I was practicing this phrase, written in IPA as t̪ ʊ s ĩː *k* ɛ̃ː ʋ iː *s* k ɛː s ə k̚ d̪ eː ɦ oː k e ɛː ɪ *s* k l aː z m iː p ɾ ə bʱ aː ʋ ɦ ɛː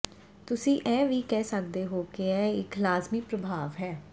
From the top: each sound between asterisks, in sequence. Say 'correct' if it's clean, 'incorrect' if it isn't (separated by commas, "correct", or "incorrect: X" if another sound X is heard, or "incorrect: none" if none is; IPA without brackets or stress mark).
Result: incorrect: ʔ, incorrect: none, incorrect: none